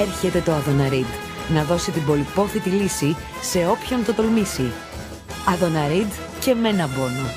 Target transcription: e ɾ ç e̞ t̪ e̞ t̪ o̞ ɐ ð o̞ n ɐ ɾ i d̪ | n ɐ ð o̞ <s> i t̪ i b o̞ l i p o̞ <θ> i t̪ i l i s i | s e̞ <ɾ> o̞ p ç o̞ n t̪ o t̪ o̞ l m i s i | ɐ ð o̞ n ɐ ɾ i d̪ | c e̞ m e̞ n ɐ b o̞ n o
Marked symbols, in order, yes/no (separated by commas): yes, yes, no